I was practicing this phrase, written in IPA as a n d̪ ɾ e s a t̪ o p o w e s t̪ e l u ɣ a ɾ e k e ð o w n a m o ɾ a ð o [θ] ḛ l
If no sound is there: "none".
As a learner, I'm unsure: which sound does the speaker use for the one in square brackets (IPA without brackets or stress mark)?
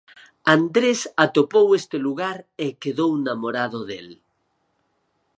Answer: ð